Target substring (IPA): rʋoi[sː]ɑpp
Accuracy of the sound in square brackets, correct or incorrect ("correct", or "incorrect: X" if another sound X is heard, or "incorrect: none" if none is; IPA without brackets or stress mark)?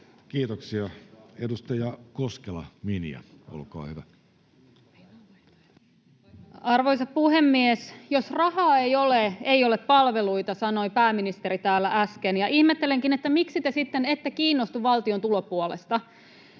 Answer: incorrect: s